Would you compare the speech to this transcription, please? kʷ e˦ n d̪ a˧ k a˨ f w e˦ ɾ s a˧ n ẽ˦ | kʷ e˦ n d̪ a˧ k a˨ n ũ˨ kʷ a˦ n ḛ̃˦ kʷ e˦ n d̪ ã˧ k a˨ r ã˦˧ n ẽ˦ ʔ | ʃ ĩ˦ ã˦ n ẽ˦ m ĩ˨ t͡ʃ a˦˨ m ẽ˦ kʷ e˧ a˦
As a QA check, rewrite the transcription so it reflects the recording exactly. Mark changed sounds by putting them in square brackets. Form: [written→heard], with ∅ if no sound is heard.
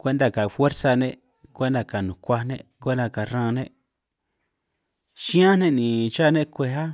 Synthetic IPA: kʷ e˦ n d̪ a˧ k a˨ f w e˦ ɾ s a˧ n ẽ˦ | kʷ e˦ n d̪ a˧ k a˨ n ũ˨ kʷ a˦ n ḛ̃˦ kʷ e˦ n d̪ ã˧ k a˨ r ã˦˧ n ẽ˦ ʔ | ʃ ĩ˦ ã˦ n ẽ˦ [m→n] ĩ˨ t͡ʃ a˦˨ [m→n] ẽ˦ kʷ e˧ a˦